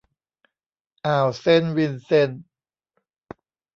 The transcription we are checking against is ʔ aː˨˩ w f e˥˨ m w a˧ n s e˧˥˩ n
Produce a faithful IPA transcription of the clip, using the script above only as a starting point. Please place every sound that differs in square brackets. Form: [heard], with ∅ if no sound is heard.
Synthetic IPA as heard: ʔ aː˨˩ w [s] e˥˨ [n] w [i˧] n s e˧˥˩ n